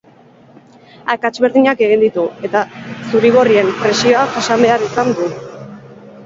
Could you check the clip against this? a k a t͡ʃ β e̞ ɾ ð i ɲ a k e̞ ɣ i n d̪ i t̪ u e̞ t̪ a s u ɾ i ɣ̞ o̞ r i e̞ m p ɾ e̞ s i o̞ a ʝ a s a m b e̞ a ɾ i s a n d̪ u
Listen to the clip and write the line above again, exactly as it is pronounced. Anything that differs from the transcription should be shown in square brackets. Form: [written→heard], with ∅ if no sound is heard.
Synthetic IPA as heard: a k a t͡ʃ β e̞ ɾ ð i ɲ a k e̞ ɣ i n d̪ i t̪ u e̞ t̪ a s u ɾ i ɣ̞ o̞ r i e̞ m p ɾ e̞ s i o̞ a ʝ a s a m b e̞ a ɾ i s a n d̪ u